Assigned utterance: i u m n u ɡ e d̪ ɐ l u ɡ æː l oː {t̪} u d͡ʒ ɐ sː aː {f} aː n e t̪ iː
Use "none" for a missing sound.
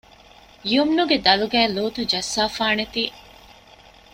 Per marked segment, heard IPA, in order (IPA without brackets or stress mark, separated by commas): t̪, f